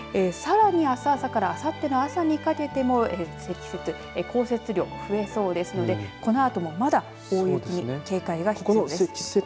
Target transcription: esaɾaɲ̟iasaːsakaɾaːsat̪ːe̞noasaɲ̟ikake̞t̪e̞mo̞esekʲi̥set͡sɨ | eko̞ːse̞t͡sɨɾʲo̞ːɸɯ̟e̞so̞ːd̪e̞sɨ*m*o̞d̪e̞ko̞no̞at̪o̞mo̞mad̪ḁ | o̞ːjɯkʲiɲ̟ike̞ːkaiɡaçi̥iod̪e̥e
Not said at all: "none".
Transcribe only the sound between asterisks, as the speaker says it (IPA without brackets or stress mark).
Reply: n